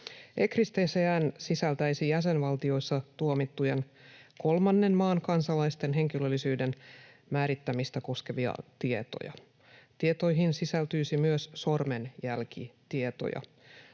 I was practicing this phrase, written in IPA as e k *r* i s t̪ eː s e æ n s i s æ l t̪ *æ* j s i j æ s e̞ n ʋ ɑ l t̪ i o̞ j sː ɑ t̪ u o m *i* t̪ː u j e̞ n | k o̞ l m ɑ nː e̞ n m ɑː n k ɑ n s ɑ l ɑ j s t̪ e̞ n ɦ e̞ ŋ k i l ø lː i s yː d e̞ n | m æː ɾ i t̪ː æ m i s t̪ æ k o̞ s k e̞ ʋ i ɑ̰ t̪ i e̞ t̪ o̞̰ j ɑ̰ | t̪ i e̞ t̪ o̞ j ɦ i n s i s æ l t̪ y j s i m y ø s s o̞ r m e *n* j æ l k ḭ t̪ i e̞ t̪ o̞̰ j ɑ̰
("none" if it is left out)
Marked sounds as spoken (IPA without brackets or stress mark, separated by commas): r, æ, i, n